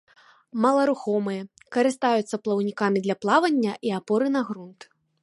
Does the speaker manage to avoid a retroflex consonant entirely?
yes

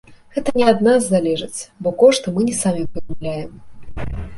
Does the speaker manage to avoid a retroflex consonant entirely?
no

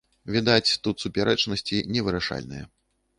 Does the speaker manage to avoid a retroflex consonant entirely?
no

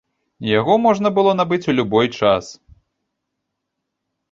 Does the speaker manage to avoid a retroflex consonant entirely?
no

